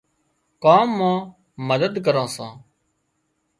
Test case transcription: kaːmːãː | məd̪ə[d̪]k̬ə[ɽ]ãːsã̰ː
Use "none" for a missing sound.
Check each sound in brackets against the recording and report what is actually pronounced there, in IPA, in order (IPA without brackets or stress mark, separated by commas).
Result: d̪, ɾ